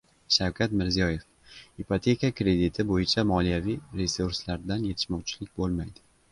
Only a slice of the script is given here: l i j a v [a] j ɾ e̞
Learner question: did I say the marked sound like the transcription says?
no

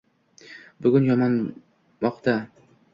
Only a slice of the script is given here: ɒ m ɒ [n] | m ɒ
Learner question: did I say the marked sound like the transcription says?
yes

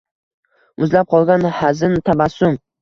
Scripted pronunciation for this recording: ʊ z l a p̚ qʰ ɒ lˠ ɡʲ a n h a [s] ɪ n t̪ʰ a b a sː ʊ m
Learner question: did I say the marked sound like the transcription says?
no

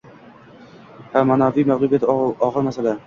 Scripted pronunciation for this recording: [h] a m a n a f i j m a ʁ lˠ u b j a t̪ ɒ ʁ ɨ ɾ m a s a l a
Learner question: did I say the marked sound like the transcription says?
yes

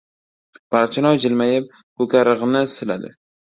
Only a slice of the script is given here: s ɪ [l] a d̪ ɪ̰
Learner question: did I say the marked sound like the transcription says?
yes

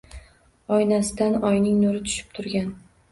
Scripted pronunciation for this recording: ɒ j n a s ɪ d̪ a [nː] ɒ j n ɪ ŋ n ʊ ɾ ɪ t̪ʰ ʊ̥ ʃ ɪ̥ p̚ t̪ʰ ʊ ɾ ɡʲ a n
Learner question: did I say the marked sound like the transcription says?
no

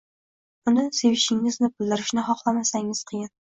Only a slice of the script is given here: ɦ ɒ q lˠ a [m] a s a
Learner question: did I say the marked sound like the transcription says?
yes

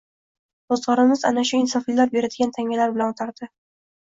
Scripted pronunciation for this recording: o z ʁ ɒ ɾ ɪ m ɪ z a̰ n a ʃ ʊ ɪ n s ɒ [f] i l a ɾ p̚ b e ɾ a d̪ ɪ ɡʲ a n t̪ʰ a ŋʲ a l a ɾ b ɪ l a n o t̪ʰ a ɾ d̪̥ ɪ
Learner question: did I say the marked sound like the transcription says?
yes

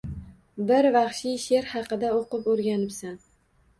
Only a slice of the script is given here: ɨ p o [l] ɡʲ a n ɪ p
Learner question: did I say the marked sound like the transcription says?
no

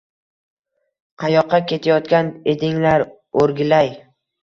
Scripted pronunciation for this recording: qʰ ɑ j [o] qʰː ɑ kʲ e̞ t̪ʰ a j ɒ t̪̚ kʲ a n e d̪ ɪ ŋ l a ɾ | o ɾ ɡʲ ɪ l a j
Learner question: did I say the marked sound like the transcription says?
no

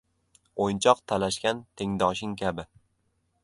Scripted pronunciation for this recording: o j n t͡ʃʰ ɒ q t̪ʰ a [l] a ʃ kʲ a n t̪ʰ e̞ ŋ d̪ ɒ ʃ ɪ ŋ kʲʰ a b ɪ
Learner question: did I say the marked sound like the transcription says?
yes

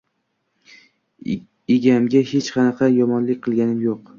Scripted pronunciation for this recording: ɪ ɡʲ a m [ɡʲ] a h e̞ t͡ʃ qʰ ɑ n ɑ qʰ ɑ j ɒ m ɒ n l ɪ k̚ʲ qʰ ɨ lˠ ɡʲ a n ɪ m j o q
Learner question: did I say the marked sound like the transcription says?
yes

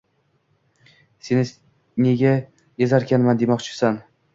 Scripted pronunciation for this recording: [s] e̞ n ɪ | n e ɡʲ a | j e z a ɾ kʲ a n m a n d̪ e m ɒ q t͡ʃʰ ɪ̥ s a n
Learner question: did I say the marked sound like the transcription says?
yes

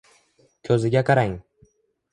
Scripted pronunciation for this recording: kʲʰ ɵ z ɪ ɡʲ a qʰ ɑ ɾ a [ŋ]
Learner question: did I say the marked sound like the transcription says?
yes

